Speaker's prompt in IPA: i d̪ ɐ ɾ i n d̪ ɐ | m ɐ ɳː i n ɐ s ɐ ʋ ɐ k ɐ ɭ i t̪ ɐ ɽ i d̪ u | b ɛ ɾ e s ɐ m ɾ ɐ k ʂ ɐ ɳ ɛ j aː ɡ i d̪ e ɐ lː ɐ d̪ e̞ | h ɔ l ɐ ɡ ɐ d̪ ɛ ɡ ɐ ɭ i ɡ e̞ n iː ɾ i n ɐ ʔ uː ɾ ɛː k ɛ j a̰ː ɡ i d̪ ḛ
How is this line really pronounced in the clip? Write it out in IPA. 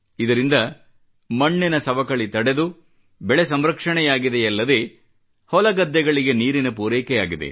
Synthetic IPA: i d̪ ɐ ɾ i n d̪ ɐ | m ɐ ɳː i n ɐ s ɐ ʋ ɐ k ɐ ɭ i t̪ ɐ ɽ e d̪ u | b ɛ ɭ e s ɐ m ɾ ɐ k ʂ ɐ ɳ ɛ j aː ɡ i d̪ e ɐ lː ɐ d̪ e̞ | h ɔ l ɐ ɡ ɐ d̪ː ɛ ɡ ɐ ɭ i ɡ e̞ n iː ɾ i n ɐ p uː ɾ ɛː k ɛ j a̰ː ɡ i d̪ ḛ